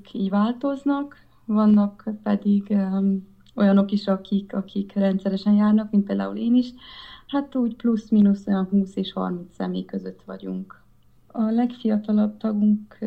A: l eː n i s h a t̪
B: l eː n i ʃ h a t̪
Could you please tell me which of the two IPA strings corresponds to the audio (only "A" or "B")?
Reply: B